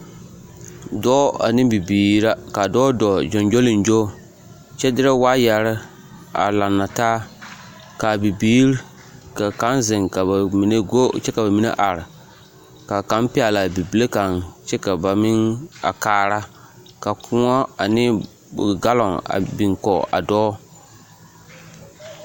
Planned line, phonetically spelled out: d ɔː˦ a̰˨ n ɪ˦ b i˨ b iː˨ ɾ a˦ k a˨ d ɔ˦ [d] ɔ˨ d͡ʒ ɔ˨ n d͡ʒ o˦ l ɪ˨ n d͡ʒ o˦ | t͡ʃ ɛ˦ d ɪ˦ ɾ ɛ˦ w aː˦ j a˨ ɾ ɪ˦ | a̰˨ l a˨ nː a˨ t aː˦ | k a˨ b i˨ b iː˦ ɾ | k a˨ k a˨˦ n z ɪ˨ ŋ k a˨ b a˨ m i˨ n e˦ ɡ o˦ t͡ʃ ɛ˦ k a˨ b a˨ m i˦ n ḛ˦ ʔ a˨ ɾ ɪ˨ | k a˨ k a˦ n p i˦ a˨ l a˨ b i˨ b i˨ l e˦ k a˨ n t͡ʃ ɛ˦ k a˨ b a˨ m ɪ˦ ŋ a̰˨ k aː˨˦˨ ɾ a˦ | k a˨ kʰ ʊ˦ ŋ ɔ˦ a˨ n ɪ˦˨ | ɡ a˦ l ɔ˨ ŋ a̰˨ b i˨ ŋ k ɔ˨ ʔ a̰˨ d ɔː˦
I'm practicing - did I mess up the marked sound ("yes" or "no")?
no